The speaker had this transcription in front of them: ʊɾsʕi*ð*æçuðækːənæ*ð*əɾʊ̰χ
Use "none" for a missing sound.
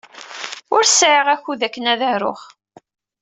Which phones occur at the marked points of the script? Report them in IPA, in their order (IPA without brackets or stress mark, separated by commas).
ʁ, ð